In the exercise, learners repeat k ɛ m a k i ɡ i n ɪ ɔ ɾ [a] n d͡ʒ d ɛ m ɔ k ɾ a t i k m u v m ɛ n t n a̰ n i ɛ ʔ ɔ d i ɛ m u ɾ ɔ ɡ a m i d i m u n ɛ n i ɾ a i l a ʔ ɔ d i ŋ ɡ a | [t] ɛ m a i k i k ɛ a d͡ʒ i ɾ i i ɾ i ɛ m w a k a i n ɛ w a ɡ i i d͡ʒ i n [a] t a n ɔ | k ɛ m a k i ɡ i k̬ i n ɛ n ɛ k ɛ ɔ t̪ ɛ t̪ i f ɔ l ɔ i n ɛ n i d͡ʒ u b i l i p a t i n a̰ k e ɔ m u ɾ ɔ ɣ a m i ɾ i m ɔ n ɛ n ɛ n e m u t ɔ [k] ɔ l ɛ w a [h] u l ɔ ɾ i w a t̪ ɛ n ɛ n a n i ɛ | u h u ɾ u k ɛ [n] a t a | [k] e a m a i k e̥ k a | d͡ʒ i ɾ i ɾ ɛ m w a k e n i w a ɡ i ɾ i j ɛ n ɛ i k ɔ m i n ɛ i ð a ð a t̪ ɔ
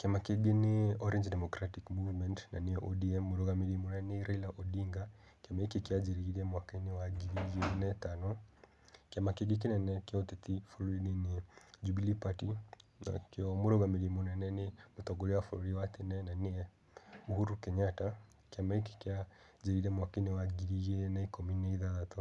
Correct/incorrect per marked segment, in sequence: incorrect: ɛ, incorrect: k, incorrect: ɛ, incorrect: ɡ, incorrect: f, incorrect: ɲ, correct

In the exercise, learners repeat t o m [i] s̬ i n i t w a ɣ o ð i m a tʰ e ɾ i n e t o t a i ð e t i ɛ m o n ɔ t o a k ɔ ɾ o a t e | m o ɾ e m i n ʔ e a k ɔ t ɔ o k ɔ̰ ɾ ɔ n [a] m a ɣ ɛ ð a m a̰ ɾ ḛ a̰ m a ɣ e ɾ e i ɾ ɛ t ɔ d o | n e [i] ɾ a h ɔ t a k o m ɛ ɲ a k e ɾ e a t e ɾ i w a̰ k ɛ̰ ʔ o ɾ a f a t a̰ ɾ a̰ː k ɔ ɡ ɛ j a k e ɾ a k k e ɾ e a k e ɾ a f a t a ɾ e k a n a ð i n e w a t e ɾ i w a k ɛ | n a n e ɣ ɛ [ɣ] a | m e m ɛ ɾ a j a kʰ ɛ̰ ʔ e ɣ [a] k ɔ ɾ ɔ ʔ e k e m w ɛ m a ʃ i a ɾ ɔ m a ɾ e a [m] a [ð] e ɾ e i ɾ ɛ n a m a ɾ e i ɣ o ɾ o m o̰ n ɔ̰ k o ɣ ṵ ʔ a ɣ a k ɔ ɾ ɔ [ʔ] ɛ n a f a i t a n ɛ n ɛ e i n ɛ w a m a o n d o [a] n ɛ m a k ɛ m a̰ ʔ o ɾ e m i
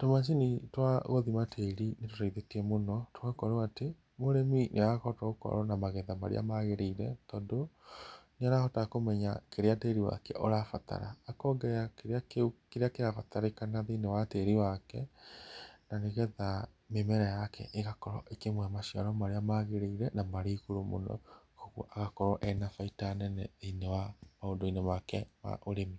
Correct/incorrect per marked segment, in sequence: incorrect: a, correct, incorrect: a, incorrect: ð, correct, correct, incorrect: ɣ, correct, incorrect: i

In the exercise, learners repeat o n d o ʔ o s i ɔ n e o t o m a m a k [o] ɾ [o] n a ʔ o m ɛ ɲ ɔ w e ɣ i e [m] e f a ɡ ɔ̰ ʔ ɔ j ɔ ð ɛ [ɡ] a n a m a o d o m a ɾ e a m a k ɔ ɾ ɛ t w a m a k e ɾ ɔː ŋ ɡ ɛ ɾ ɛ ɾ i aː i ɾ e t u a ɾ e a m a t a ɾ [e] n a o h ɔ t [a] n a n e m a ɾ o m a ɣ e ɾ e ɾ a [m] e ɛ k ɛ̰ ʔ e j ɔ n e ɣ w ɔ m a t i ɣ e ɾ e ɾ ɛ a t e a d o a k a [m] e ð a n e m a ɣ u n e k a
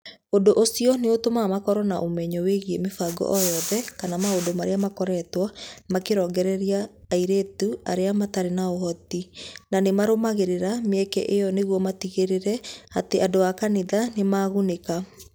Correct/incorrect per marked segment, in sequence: incorrect: ɔ, incorrect: ɔ, correct, incorrect: k, correct, incorrect: i, correct, incorrect: n

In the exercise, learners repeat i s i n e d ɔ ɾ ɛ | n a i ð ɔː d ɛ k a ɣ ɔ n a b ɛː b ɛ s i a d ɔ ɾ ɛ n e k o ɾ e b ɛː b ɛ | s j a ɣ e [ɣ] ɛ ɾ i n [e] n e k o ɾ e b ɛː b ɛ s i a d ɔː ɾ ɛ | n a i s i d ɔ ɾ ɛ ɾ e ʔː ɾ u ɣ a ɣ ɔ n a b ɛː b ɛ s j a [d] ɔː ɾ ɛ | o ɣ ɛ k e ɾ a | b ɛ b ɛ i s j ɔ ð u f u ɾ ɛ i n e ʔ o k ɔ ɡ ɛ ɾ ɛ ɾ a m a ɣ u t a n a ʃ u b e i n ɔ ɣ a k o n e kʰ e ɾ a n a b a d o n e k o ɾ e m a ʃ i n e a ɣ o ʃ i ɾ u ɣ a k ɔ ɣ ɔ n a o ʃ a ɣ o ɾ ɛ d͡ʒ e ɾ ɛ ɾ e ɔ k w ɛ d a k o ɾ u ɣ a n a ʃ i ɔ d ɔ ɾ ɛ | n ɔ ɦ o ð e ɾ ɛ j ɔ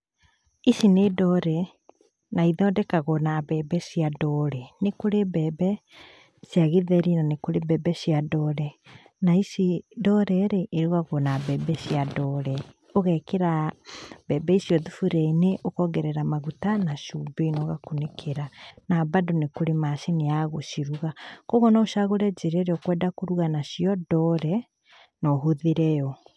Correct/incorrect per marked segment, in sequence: incorrect: ð, incorrect: a, correct

